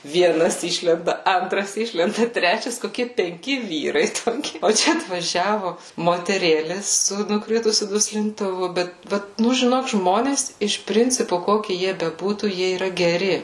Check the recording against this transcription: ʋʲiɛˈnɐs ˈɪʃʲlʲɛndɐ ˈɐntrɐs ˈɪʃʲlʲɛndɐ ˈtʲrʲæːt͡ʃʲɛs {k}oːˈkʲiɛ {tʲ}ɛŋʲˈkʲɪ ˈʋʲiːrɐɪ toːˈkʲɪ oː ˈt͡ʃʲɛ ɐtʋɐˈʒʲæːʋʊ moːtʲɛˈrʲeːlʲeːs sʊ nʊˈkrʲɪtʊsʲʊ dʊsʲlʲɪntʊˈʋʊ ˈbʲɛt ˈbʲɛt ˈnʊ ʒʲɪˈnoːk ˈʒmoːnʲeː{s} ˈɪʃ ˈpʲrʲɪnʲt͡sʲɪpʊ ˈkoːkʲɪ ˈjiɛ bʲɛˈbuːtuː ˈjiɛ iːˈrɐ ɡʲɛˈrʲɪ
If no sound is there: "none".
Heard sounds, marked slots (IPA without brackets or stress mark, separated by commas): k, pʲ, s